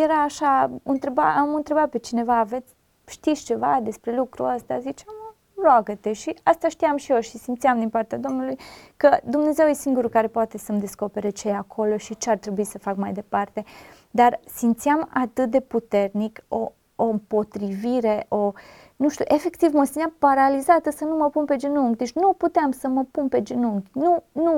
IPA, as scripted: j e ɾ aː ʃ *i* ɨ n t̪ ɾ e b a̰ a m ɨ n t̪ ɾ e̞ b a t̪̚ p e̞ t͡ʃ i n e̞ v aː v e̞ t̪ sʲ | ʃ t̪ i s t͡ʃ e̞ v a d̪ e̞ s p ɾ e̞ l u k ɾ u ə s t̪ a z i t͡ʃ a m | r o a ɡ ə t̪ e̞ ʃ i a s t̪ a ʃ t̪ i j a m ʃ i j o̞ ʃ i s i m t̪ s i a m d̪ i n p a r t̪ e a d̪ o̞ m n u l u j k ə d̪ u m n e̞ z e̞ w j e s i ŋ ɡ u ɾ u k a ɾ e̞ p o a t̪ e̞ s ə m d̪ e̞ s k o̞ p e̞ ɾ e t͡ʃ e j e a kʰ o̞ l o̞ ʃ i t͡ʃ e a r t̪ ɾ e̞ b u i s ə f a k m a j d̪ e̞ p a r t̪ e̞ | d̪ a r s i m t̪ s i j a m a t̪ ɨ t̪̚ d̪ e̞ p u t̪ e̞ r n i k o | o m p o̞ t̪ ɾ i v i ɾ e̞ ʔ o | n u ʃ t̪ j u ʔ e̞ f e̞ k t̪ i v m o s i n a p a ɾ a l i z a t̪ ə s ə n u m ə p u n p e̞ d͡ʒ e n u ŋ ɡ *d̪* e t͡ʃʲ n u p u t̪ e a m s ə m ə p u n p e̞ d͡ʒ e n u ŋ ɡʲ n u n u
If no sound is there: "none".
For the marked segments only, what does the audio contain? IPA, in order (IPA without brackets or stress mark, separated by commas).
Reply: a, d̪